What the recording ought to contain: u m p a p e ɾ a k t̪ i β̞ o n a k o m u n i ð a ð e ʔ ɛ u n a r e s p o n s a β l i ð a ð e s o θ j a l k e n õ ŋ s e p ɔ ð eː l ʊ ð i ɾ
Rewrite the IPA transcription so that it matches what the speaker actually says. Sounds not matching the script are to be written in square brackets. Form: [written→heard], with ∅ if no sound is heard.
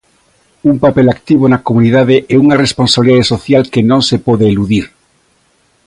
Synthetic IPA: u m p a p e [ɾ→l] a k t̪ i β̞ o n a k o m u n i ð a ð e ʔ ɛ u [n→ŋ] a r e s p o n s a β l i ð a ð e s o θ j a l k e n õ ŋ s e p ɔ ð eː l [ʊ→u] ð i ɾ